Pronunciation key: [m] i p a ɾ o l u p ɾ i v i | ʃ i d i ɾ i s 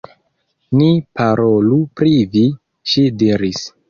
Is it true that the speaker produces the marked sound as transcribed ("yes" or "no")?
no